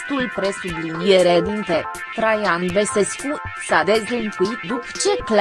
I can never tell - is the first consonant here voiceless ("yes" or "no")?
yes